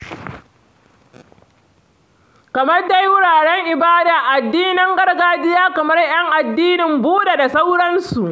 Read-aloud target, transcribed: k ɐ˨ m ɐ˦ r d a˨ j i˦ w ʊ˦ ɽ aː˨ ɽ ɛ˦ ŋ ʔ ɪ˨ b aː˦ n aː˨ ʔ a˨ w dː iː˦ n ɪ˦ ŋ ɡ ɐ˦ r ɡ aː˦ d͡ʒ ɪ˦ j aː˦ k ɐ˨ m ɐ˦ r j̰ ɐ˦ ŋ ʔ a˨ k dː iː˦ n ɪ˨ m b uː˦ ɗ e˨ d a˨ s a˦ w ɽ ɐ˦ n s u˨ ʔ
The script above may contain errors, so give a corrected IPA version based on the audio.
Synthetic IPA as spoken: k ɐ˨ m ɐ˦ r d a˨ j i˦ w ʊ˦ ɽ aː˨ ɽ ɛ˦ ŋ ʔ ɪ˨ b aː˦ d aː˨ ʔ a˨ dː iː˦ n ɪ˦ ŋ ɡ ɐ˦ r ɡ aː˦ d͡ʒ ɪ˦ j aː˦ k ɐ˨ m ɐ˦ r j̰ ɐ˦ ŋ ʔ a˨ dː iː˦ n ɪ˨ m b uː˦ ɗ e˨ d a˨ s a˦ w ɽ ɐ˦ n s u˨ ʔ